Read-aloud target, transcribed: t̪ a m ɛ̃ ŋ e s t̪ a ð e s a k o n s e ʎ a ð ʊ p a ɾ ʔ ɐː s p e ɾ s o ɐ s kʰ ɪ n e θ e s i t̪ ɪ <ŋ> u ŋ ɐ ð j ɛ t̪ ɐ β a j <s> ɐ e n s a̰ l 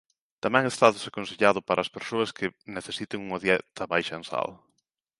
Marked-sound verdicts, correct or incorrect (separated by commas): correct, incorrect